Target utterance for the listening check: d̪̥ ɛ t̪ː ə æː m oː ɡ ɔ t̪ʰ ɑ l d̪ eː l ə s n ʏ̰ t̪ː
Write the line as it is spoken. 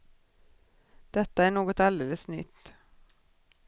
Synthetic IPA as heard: d̪̥ ɛ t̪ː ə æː ɳ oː ɡ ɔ t̪ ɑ l d̪ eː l ə s n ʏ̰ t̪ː